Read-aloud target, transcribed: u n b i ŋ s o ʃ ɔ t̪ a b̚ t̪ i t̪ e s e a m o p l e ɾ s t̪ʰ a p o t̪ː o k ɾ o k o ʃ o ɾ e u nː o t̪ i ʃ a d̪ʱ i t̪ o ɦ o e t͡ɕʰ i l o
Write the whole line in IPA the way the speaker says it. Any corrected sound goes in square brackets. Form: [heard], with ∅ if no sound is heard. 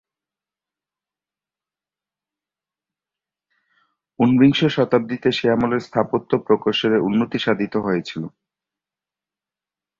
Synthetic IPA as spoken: u n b i ŋ [ʃ] o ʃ ɔ t̪ a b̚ [d̪] i t̪ e [ʃ] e a m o [∅] l e ɾ s t̪ʰ a p o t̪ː o [p] ɾ o k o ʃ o ɾ e u nː o t̪ i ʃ a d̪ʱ i t̪ o ɦ o e t͡ɕʰ i l o